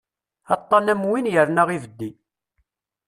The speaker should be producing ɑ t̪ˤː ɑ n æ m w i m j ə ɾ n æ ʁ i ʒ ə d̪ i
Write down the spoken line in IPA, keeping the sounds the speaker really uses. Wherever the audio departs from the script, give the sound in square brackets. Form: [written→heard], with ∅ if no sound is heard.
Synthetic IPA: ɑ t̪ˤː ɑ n æ m w i [m→n] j ə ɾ n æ ʁ i [ʒ→v] ə [d̪→d̪ː] i